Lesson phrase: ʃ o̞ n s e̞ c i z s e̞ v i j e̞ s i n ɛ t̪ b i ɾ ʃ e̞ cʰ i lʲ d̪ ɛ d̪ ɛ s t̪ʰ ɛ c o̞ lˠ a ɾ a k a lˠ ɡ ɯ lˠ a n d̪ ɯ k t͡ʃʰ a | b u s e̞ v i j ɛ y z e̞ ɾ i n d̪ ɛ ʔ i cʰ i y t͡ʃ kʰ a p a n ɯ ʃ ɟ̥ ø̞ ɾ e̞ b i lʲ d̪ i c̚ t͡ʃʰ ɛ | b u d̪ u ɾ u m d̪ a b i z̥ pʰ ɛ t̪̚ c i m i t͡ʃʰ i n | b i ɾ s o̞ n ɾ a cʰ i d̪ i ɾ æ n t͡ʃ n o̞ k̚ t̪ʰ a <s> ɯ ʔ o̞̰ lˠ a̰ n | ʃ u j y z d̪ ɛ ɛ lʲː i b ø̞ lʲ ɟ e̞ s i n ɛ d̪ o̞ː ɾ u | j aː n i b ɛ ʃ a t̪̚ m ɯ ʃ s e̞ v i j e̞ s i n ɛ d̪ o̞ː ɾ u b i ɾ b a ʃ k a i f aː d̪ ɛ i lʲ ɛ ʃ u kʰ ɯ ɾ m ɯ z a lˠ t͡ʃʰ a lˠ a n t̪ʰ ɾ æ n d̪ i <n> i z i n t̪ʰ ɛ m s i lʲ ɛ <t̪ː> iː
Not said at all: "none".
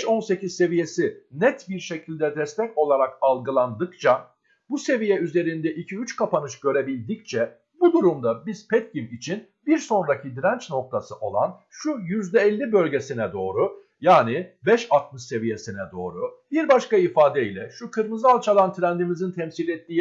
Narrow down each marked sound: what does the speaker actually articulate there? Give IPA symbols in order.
s, m, t̪ː

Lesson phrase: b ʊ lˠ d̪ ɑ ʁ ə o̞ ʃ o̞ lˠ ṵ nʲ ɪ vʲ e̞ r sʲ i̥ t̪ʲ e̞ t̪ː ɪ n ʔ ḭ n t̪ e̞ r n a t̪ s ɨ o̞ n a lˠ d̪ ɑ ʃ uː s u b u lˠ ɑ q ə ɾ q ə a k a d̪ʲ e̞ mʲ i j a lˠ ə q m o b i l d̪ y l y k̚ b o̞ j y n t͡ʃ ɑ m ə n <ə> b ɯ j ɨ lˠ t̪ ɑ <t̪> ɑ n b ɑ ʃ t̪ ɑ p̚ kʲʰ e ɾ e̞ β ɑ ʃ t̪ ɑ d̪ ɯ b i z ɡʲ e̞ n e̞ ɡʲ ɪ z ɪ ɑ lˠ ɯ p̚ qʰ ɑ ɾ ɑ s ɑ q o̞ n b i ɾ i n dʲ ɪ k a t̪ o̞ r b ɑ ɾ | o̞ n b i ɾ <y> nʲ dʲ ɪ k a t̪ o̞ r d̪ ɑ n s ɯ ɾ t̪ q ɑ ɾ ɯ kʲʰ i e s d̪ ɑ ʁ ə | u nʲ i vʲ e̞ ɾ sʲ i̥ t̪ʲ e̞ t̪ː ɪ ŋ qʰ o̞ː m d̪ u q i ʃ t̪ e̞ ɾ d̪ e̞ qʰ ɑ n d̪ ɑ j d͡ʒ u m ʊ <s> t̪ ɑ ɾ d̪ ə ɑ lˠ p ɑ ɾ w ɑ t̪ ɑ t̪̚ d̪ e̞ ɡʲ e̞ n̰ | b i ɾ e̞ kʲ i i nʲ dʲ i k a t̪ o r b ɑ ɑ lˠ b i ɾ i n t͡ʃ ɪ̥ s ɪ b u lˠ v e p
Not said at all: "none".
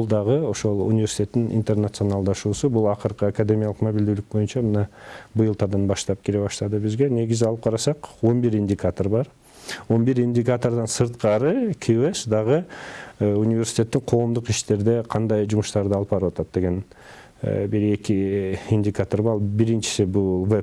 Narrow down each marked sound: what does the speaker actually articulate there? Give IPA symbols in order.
ɑ, d̪, i, ʃ

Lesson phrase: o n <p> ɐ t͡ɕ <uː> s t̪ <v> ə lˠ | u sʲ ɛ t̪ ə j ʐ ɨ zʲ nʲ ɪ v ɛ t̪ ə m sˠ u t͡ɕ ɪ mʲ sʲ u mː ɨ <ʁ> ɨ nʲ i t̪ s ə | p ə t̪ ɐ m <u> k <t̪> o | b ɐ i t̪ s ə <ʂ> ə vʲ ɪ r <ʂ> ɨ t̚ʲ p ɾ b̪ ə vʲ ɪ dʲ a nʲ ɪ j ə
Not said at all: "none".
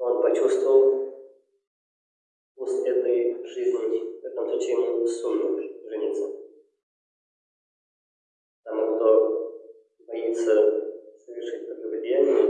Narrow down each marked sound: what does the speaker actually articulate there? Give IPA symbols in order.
p, u, v, ʐ, u, t̪, s, ʂ

